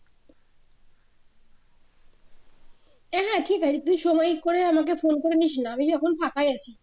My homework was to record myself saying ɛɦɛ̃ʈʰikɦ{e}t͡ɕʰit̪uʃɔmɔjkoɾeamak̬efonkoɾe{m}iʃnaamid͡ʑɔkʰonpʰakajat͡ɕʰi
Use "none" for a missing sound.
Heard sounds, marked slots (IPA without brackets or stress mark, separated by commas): a, n